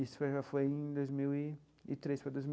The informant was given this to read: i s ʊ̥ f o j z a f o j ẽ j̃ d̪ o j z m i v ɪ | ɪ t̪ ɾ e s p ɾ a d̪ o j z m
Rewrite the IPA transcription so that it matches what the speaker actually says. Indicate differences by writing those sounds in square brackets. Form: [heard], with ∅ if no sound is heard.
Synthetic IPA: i s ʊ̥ f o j [ʒ] a f o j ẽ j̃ d̪ o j z m i [w] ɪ | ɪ t̪ ɾ e s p ɾ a d̪ o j z m

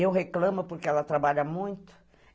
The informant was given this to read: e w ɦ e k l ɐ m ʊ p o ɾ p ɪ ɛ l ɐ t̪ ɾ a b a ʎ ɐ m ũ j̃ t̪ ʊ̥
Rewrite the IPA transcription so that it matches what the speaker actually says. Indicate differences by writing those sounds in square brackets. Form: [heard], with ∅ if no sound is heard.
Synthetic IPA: e w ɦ e k l [ɐ̃] m ʊ p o ɾ [k] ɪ ɛ l ɐ t̪ ɾ a b a ʎ ɐ m ũ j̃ t̪ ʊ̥

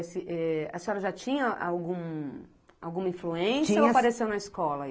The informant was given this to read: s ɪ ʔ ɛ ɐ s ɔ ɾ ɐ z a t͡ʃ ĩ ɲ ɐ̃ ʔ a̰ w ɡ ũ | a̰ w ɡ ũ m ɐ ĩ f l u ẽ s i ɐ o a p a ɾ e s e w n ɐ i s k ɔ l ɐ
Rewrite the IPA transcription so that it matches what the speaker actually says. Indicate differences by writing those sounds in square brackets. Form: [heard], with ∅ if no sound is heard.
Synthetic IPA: s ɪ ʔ ɛ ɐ s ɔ ɾ ɐ [ʒ] a t͡ʃ ĩ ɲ [ɐ] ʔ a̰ w ɡ ũ | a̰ w ɡ ũ m ɐ ĩ f l u ẽ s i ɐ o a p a ɾ e s e w n ɐ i s k ɔ l ɐ

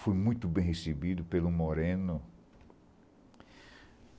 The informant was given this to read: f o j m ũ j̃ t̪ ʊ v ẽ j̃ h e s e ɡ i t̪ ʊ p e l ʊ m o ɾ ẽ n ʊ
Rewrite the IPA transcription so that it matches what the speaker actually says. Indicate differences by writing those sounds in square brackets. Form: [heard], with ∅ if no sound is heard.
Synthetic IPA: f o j m ũ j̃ t̪ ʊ [b] ẽ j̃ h e s e [b] i [d̪] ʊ p e l ʊ m o ɾ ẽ n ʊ

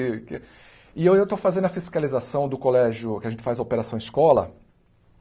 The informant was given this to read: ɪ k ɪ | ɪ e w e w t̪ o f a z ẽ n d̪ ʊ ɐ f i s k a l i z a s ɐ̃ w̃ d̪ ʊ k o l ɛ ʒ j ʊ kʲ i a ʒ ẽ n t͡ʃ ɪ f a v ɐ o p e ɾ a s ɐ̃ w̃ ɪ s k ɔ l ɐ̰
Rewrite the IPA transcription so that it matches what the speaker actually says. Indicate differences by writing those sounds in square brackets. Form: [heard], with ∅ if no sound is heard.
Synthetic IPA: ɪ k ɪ | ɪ e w e w t̪ o f a z ẽ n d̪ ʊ ɐ f i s k a l i z a s ɐ̃ w̃ d̪ ʊ k o l ɛ ʒ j ʊ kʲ [ɪ] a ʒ ẽ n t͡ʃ ɪ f a [z] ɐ o p e ɾ a s ɐ̃ w̃ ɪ s k ɔ l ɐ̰

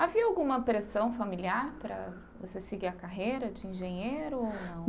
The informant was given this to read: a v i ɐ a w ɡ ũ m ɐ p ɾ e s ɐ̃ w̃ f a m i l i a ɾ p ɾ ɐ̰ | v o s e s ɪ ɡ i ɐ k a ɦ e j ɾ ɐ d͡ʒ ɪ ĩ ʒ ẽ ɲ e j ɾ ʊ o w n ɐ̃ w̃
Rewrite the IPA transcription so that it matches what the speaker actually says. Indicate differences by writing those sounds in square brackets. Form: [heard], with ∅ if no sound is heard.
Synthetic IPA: a v i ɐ a w ɡ ũ m ɐ p ɾ e s ɐ̃ w̃ f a m i l i a ɾ p ɾ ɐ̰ | v o s e s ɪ ɡ i ɐ k a ɦ e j ɾ ɐ d͡ʒ ɪ ĩ ʒ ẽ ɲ e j ɾ ʊ o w n ɐ̃ w̃

